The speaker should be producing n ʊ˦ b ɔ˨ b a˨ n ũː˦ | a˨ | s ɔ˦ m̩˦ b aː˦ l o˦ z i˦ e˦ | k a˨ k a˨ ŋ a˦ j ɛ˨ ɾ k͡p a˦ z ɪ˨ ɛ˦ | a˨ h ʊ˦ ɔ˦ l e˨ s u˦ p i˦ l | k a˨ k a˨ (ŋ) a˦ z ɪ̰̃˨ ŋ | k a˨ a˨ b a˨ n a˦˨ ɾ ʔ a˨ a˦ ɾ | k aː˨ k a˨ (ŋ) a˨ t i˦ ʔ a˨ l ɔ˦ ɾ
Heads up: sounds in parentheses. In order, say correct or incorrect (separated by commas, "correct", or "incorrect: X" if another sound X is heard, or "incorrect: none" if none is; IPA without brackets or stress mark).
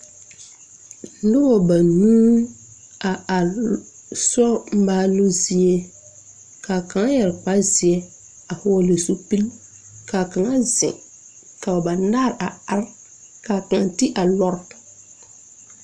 correct, correct